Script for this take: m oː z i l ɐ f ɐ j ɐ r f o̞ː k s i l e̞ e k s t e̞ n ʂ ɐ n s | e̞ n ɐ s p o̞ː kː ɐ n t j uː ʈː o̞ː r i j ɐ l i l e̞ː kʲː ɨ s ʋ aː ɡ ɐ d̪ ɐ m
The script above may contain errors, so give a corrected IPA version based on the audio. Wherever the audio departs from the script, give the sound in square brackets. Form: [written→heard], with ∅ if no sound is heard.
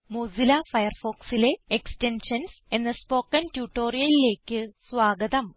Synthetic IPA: m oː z i l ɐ f ɐ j ɐ r f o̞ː k s i l e̞ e k s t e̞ n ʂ ɐ n s | e̞ [n→nː] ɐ s p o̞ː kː ɐ n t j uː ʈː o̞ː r i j ɐ l i l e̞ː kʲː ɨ s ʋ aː ɡ ɐ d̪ ɐ m